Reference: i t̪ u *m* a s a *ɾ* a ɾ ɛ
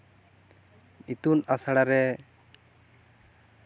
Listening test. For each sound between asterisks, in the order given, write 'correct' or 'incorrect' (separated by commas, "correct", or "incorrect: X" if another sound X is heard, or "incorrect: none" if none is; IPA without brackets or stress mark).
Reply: incorrect: n, incorrect: ɽ